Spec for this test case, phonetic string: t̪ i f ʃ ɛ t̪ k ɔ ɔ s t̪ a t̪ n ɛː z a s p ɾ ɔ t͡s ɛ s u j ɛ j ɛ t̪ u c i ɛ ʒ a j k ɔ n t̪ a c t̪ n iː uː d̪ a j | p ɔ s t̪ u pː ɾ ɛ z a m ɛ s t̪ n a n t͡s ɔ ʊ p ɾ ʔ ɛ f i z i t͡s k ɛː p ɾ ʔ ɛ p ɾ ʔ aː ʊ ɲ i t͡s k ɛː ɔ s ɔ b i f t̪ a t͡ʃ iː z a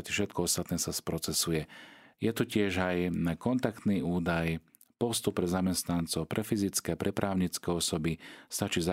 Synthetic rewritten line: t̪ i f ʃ ɛ t̪ k ɔ ɔ s t̪ a t̪ n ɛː s a s p ɾ ɔ t͡s ɛ s u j ɛ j ɛ t̪ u c ɪ ɛ ʒ a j k ɔ n t̪ a k t̪ n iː uː d̪ a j | p ɔ s t̪ u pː ɾ ɛ z a m ɛ s t̪ n a n t͡s ɔ ʊ p ɾ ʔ ɛ f i z i t͡s k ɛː p ɾ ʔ ɛ p ɾ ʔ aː ʊ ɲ i t͡s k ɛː ɔ s ɔ b i s t̪ a t͡ʃ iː z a